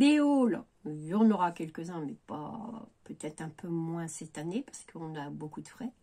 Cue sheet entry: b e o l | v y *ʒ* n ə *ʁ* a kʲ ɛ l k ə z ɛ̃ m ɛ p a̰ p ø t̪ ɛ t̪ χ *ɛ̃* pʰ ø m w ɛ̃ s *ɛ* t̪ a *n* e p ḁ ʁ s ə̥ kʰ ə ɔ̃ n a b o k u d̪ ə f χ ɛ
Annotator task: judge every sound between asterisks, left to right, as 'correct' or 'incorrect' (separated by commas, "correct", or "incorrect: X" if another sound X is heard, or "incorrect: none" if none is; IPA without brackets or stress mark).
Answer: incorrect: ʁ, correct, correct, correct, correct